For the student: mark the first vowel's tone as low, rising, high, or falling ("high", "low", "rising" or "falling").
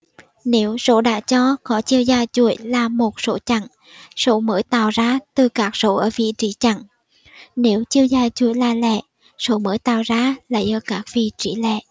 rising